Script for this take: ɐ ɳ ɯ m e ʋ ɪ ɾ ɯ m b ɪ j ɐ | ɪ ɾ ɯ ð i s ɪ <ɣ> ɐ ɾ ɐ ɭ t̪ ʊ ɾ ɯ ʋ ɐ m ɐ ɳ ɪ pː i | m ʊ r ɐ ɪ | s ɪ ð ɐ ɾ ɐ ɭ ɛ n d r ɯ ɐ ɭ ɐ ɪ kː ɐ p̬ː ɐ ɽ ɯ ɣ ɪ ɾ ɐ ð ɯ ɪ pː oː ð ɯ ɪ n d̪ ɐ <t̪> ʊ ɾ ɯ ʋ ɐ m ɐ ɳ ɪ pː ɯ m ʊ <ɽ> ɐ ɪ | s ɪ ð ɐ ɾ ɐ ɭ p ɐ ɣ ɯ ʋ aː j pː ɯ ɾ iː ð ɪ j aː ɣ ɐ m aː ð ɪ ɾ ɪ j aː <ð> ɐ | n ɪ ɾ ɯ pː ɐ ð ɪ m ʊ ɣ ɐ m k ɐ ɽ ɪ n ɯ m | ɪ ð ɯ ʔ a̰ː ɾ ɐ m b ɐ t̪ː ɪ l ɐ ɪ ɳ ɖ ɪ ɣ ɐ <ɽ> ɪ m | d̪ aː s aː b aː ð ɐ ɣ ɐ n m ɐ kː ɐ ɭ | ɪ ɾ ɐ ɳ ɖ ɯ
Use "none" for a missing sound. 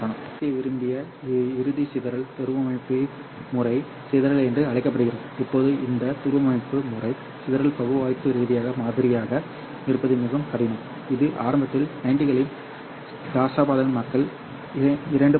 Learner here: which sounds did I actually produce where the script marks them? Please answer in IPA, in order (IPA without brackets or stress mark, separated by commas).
ð, t̪, r, ɣ, ɭ